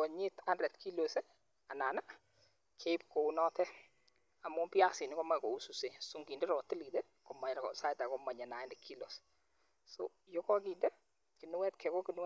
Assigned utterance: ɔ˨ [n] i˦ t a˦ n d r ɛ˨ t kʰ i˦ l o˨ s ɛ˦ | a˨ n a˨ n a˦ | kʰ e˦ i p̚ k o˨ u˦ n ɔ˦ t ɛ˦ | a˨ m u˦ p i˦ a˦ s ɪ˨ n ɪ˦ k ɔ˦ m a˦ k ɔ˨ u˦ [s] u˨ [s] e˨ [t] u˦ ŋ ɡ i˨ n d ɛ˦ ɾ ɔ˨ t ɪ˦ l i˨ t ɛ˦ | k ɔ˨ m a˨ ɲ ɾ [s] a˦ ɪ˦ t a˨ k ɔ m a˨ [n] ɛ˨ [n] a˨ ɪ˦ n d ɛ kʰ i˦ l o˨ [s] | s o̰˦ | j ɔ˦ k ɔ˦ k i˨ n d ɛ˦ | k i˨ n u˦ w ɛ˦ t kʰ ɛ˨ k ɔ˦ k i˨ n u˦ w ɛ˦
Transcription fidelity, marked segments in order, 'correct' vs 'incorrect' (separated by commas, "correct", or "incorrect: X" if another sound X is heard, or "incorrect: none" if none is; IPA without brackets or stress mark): incorrect: ɲ, correct, correct, incorrect: s, correct, incorrect: ɲ, correct, correct